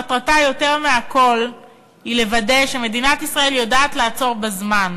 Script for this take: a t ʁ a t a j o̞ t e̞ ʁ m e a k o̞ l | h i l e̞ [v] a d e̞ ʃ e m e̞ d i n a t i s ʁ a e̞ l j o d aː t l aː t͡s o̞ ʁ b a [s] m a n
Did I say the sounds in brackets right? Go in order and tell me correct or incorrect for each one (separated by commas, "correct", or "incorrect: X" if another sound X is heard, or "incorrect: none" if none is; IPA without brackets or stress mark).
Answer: correct, incorrect: z